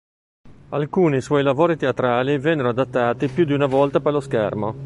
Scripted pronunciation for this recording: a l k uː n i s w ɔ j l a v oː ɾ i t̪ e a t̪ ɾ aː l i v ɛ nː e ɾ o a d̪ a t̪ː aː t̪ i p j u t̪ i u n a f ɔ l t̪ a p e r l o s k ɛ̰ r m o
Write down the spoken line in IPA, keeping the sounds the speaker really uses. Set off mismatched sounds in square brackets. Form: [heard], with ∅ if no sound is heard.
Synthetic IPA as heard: a l k uː n i s w ɔ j l a v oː ɾ i t̪ e a t̪ ɾ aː l i v ɛ nː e ɾ o a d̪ a t̪ː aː t̪ i p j u [d̪] i u n a [v] ɔ l t̪ a p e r l o s k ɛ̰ r m o

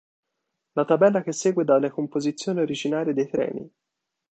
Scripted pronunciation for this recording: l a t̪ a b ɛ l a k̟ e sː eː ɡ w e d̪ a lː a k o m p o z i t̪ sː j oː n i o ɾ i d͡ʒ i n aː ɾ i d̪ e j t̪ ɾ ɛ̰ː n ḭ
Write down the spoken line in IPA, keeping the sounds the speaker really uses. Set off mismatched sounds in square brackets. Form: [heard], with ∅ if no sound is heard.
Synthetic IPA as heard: l a t̪ a b ɛ [lː] a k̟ e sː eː ɡ w e d̪ a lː [e] k o m p o z i t̪ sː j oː n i o ɾ i d͡ʒ i n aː ɾ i d̪ e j t̪ ɾ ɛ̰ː n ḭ

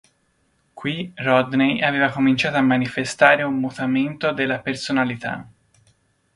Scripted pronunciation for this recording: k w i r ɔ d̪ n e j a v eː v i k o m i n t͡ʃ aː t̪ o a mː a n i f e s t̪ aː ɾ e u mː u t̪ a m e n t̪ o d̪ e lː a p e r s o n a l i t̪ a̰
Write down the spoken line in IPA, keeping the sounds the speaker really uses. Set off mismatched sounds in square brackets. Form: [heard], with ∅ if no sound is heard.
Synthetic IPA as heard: k w i r ɔ d̪ n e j a v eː v [a] k o m i n t͡ʃ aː t̪ o a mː a n i f e s t̪ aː ɾ e u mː u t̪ a m e n t̪ o d̪ e lː a p e r s o n a l i t̪ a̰

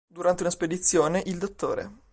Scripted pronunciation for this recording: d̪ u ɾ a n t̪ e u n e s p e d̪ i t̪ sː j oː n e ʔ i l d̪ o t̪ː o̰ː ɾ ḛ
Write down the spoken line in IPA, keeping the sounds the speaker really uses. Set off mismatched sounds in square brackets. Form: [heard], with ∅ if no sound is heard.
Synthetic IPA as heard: d̪ u ɾ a n t̪ e u n [a] s p e d̪ i t̪ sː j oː n e ʔ i l d̪ o t̪ː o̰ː ɾ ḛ

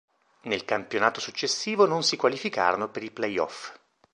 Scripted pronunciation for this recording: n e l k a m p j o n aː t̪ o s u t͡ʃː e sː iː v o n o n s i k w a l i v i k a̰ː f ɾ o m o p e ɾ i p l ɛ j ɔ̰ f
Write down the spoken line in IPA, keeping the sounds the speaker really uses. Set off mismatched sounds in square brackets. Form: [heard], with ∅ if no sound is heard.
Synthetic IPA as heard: n e l k a m p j o n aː t̪ o s u t͡ʃː e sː iː v o n o n s i k w a l i [f] i k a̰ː [∅] ɾ o [n] o p e ɾ i p l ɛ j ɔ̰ f

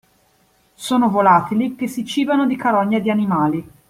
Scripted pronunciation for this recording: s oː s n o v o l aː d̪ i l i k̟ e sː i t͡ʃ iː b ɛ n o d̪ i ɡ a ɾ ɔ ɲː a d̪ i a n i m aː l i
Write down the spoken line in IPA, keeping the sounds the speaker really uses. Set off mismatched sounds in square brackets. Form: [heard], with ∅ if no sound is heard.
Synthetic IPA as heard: s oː [∅] n o v o l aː [t̪] i l i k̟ e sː i t͡ʃ iː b [a] n o d̪ i [k] a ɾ ɔ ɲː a d̪ i a n i m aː l i

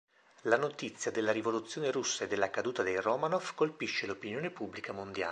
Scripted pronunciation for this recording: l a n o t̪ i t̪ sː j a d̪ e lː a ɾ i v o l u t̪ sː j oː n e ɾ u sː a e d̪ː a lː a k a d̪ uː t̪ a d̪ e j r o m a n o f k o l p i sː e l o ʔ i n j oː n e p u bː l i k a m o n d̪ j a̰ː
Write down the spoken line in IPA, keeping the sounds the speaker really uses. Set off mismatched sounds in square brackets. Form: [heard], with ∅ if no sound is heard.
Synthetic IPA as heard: l a n o t̪ i t̪ sː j a d̪ e lː a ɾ i v o l u t̪ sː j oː n e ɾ u sː a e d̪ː [e] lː a k a d̪ uː t̪ a d̪ e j r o m a n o f k o l p i [ʃː] e l o [p] i n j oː n e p u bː l i k a m o n d̪ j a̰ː

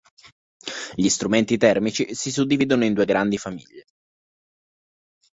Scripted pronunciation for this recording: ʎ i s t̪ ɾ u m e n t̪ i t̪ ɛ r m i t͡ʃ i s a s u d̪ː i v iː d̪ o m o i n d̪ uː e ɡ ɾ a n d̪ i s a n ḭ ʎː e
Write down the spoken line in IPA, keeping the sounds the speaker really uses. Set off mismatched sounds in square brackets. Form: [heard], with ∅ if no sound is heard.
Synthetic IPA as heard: ʎ i s t̪ ɾ u m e n t̪ i t̪ ɛ r m i t͡ʃ i s [i] s u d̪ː i v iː d̪ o [n] o i n d̪ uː e ɡ ɾ a n d̪ i [f] a [m] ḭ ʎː e

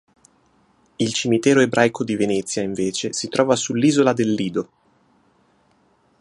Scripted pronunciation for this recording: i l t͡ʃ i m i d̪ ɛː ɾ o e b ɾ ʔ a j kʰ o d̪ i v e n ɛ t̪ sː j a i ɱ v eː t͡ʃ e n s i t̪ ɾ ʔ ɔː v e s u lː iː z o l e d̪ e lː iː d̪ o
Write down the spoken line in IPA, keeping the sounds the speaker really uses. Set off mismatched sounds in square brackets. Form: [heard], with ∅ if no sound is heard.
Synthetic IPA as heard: i l t͡ʃ i m i [t̪] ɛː ɾ o e b ɾ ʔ a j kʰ o d̪ i v e n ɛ t̪ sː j a i ɱ v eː t͡ʃ e [∅] s i t̪ ɾ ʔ ɔː v [a] s u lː iː z o l [a] d̪ e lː iː d̪ o

